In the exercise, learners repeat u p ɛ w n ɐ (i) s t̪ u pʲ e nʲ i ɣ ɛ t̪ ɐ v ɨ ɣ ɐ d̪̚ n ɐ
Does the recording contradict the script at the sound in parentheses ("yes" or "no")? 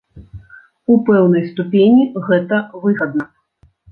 yes